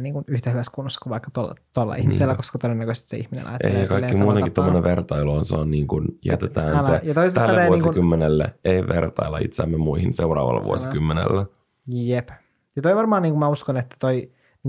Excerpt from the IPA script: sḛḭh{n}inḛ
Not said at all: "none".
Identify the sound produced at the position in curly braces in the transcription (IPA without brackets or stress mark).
m